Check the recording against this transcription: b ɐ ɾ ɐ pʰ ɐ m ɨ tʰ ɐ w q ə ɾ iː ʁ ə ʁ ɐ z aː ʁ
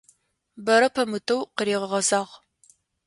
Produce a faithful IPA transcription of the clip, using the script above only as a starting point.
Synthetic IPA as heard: b ɐ ɾ ɐ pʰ ɐ m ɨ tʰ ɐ w q ə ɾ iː ʁ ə ʁ ɐ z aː ʁ